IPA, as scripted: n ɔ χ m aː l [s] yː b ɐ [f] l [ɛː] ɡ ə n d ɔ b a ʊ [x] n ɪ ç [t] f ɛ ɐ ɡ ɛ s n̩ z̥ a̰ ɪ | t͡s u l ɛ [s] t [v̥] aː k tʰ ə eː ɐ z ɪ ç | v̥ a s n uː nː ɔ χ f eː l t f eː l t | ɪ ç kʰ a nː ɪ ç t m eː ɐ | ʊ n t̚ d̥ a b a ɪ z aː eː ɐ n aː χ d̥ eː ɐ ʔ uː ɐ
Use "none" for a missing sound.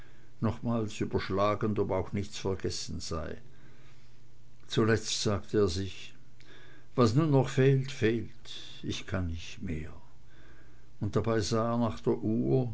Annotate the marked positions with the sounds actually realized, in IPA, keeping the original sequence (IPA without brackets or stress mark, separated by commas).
s, ʃ, aː, x, t͡s, t͡s, z̥